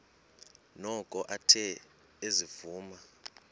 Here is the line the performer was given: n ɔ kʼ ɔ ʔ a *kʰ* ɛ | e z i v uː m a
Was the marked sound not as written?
yes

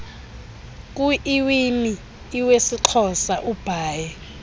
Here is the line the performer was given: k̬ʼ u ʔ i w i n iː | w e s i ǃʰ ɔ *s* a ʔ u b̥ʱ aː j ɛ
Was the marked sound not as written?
no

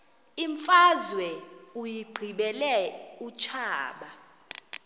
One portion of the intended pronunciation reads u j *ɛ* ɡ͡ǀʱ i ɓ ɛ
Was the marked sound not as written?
yes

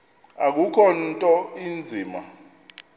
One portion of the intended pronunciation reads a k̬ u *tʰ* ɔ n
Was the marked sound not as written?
yes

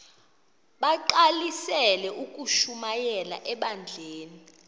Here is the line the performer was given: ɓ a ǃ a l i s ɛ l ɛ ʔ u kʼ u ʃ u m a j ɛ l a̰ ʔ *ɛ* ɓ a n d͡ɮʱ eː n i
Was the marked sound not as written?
no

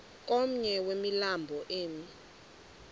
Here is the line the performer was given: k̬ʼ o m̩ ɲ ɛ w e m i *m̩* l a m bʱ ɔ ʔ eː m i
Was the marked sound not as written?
yes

